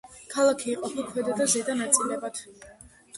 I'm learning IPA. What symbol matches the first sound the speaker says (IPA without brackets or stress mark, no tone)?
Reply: kʰ